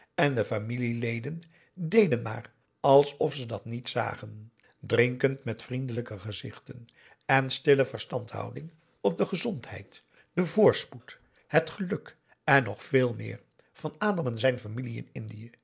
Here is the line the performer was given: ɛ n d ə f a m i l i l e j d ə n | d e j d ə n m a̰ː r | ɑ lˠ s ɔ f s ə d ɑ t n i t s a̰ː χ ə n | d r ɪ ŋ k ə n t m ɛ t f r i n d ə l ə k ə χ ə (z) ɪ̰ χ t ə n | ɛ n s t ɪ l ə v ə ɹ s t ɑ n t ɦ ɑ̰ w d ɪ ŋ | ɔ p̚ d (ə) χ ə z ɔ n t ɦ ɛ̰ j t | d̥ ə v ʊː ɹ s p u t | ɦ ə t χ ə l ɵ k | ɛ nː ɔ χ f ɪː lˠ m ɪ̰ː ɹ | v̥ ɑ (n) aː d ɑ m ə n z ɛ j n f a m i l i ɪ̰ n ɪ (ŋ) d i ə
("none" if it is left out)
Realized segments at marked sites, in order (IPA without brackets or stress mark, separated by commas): z, ə, n, n